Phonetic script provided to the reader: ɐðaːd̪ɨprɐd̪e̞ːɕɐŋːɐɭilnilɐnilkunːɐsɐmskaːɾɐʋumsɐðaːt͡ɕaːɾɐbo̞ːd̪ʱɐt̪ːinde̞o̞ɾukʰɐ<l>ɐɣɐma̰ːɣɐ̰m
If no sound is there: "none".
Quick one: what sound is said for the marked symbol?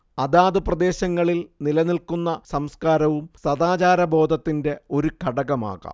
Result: ɽ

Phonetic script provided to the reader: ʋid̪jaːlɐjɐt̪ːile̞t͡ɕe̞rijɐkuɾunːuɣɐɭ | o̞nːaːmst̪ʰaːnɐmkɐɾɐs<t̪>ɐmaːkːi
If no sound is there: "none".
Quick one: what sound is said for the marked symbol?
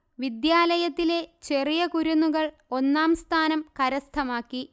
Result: t̪ʰ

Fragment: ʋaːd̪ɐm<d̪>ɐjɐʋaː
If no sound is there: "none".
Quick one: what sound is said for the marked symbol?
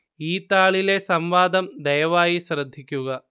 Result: d̪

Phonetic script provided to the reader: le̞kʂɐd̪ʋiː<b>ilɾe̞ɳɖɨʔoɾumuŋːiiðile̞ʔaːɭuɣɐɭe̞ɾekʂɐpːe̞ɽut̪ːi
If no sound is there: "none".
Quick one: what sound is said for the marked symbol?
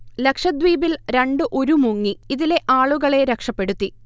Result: b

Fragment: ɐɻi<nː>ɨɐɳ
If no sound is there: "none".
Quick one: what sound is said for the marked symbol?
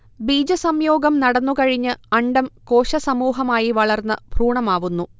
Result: ɲː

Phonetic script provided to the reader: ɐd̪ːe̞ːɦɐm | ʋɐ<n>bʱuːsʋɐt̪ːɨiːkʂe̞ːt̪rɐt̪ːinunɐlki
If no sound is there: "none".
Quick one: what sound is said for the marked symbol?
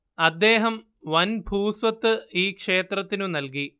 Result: n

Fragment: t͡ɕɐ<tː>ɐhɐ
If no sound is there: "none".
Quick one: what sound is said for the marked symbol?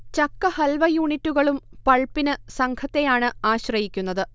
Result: kː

